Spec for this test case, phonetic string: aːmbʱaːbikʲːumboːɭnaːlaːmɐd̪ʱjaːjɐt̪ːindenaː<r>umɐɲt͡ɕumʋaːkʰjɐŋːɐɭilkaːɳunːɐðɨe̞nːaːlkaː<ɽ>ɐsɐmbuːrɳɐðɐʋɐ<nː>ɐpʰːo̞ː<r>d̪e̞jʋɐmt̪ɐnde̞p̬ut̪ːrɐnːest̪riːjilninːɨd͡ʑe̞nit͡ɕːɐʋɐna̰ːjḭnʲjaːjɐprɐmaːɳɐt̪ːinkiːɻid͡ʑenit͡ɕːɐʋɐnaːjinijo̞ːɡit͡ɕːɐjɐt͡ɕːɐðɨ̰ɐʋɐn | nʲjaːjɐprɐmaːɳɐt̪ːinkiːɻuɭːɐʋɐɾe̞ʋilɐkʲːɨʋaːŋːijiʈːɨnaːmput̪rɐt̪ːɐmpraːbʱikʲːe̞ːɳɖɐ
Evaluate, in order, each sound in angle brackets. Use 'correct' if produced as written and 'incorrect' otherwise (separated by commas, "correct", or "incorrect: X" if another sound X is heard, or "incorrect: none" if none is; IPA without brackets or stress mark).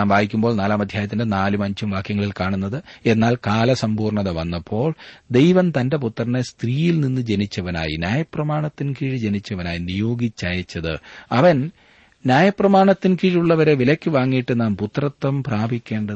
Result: incorrect: l, incorrect: l, correct, incorrect: ɭ